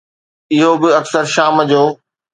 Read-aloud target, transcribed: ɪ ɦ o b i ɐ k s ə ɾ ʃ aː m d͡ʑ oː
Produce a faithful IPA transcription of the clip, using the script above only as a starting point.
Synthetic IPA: ɪ ɦ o b ɪ ɐ k s ə ɾ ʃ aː m d͡ʑ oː